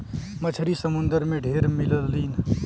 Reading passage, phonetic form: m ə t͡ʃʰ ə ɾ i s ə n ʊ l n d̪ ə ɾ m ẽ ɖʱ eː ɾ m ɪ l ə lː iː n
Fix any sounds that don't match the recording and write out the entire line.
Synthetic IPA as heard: m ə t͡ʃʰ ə ɾ i s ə m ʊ n d̪ ə ɾ m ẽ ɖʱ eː ɾ m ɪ l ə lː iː n